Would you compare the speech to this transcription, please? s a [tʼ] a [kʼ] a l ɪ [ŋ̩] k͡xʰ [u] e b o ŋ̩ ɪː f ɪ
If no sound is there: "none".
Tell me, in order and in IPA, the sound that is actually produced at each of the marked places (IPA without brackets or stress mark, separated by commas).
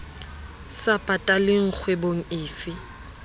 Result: pʼ, tʼ, ŋ̩, w